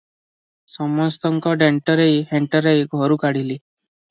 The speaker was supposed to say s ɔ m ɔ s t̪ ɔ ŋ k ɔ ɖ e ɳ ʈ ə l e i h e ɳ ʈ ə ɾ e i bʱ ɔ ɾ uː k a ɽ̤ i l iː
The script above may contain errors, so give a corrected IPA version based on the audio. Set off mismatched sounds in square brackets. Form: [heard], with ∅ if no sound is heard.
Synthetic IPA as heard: s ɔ m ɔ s t̪ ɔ ŋ k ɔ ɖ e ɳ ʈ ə [ɾ] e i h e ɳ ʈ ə ɾ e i [ɡʱ] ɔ ɾ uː k a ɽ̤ i l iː